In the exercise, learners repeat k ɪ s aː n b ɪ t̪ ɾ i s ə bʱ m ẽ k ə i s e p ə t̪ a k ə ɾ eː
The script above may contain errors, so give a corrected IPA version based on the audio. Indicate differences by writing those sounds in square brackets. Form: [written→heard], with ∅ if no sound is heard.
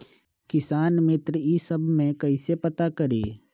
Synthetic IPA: k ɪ s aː n [b→m] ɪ t̪ ɾ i s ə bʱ m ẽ k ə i s e p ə t̪ a k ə ɾ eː